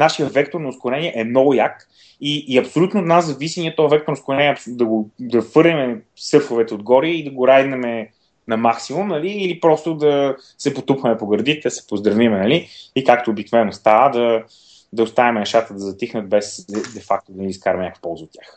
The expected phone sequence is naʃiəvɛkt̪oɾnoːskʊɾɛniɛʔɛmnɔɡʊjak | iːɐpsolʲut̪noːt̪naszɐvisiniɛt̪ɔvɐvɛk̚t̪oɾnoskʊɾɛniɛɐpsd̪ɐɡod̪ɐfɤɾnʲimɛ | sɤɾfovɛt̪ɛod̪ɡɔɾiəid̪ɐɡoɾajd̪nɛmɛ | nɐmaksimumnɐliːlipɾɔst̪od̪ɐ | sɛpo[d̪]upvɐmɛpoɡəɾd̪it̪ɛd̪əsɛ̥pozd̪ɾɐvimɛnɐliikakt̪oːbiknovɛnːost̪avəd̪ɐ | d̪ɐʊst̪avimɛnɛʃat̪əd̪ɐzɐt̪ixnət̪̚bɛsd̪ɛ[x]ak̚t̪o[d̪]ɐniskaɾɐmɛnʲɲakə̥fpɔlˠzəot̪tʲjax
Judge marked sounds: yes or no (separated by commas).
no, no, yes